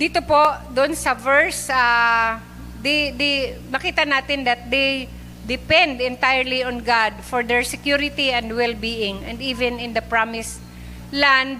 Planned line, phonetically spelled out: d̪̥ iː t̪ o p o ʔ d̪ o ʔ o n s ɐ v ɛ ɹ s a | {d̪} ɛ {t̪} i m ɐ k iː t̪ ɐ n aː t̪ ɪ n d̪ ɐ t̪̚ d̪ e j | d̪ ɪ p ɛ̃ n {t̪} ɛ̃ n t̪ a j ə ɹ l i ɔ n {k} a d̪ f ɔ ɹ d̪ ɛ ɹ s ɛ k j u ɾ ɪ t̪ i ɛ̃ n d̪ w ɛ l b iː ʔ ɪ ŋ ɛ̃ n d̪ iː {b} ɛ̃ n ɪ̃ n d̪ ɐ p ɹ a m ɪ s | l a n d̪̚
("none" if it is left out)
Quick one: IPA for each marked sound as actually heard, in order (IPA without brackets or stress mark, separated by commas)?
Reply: d̪, d̪, d̪, ɡ, v